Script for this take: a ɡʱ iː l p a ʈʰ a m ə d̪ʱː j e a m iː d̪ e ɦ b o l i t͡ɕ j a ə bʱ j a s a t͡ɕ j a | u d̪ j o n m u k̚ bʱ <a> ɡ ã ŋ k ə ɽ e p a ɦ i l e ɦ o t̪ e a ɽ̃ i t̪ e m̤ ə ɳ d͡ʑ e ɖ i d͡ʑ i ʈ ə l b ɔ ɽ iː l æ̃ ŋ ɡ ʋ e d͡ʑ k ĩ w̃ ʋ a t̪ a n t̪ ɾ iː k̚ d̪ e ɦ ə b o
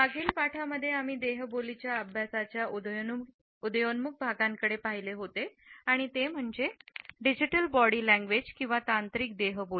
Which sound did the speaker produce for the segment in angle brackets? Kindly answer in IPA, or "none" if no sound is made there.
a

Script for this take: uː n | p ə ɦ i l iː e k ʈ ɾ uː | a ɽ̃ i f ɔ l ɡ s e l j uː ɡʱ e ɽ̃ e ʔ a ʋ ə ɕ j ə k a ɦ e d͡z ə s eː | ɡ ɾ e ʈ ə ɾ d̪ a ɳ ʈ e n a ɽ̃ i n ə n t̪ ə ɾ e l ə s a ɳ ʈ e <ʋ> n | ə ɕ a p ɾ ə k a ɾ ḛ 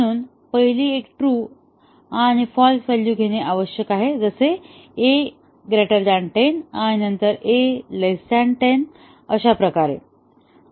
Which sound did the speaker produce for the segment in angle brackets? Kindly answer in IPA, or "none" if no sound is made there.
none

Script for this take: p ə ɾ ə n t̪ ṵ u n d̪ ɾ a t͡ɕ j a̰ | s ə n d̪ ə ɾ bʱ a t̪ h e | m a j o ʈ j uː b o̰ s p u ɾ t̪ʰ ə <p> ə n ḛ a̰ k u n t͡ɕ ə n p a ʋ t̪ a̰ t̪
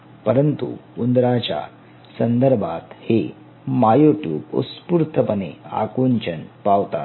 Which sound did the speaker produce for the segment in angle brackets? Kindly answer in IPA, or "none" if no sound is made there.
p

